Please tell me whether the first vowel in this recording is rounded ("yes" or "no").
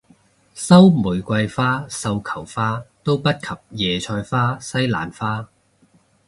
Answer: no